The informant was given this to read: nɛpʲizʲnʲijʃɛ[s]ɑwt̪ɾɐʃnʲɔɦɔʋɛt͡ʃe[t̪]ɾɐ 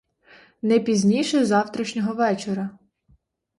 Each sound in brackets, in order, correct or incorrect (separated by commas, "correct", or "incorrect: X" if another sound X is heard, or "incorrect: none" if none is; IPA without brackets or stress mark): incorrect: z, incorrect: none